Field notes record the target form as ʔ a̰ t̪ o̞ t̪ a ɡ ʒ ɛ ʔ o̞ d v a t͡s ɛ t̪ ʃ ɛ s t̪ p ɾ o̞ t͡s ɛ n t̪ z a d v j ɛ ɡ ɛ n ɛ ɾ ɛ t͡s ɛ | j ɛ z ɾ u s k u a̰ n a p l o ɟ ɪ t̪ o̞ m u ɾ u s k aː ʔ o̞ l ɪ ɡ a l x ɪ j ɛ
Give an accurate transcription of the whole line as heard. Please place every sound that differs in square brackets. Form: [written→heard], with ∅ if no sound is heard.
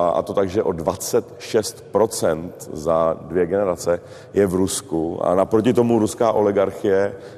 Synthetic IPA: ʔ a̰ t̪ o̞ t̪ a ɡ ʒ ɛ ʔ o̞ d v a t͡s ɛ t̪ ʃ ɛ s t̪ p ɾ o̞ t͡s ɛ n t̪ z a d v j ɛ ɡ ɛ n ɛ ɾ [ɛ→a] t͡s ɛ | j ɛ [z→v] ɾ u s k u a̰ n a p [l→ɾ] o [ɟ→c] ɪ t̪ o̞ m u ɾ u s k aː ʔ o̞ l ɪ ɡ a [l→ɾ] x ɪ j ɛ